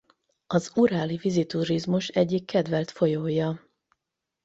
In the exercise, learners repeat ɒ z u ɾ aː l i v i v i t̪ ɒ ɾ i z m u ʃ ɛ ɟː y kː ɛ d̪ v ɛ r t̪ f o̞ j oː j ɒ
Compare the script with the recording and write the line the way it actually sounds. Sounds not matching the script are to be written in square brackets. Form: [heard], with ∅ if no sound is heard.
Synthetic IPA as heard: ɒ z u ɾ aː l i v i [z] i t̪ [u] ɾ i z m u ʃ ɛ ɟː [i] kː ɛ d̪ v ɛ [l] t̪ f o̞ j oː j ɒ